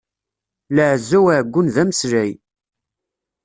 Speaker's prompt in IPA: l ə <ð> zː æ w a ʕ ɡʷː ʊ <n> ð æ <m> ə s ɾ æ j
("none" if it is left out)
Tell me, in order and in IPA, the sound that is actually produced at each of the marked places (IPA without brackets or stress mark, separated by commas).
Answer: ʕ, n, m